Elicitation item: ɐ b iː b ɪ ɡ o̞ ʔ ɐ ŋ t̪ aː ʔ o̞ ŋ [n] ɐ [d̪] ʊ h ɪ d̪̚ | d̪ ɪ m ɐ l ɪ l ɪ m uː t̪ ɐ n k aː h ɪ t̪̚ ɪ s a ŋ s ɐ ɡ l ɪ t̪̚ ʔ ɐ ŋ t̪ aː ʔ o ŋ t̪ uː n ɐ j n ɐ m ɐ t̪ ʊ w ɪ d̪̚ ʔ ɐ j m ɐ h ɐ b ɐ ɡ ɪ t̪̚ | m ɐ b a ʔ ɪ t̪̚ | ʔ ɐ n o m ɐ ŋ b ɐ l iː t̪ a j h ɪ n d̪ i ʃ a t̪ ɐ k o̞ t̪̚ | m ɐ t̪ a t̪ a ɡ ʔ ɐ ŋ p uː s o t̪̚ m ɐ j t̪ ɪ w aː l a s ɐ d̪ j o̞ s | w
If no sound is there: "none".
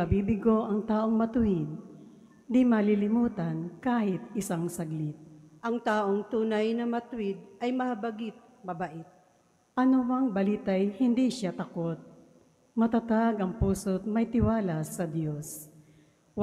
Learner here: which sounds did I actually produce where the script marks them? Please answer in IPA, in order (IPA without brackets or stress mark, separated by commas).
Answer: m, t̪